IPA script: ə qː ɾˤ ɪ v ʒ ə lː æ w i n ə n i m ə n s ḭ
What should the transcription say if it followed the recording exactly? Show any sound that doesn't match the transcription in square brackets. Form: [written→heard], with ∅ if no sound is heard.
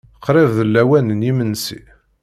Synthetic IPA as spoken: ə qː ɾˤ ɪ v [ʒ→ð] ə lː æ w [i→æ] n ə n i m ə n s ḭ